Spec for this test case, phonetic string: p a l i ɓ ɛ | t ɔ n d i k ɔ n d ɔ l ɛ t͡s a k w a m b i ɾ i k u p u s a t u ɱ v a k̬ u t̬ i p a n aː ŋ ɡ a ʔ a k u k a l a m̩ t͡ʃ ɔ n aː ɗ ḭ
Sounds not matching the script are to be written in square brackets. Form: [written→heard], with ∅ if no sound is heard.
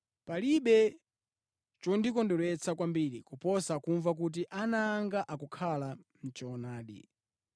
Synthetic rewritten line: p a l i ɓ ɛ | [t→t͡ʃ] ɔ n d i k ɔ n d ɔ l ɛ t͡s a k w a m b i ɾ i k u p [u→ɔ] s a [t→k] u ɱ v a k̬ u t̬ i [p→ʔ] a n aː ŋ ɡ a ʔ a k u [k→kʰ] a l a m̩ t͡ʃ ɔ n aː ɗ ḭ